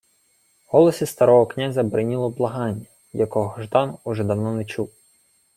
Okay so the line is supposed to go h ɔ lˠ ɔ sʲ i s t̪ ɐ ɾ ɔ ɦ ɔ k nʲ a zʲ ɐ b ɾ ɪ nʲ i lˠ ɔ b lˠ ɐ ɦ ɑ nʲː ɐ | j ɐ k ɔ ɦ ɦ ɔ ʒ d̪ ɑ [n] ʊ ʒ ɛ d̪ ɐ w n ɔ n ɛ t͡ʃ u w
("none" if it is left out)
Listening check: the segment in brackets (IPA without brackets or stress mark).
n